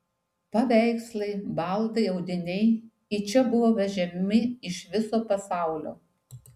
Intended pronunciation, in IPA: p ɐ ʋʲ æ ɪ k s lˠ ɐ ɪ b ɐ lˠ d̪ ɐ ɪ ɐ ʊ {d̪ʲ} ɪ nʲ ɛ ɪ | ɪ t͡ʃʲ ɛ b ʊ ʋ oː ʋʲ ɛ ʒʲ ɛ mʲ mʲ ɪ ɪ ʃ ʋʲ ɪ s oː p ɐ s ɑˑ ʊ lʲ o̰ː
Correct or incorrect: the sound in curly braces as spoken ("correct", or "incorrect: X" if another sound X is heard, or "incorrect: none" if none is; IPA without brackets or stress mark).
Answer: correct